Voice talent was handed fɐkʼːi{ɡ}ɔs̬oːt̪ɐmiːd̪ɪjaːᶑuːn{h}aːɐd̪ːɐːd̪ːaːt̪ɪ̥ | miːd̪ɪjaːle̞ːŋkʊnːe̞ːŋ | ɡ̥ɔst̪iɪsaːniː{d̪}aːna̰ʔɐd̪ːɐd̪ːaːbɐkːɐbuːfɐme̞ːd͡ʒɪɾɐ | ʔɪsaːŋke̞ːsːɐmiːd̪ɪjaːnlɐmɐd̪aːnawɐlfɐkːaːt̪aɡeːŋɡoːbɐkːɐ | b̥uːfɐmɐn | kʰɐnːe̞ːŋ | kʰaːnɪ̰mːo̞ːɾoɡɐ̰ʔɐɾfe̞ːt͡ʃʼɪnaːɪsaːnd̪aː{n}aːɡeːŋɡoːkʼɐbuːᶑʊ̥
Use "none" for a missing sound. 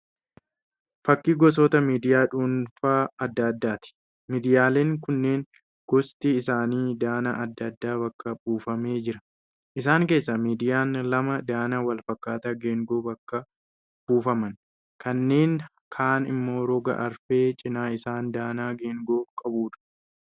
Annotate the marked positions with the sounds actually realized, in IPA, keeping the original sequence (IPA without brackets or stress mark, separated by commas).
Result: ɡ, f, d̪, n